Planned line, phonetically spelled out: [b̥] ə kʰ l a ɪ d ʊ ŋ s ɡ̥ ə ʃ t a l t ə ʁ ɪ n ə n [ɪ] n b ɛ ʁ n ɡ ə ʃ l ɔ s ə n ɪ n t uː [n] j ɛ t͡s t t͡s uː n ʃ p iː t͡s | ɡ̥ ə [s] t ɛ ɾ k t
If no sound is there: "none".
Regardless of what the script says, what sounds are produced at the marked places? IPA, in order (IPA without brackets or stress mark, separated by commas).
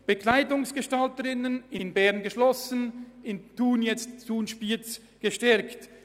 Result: b̥, ɪ, n, ʃ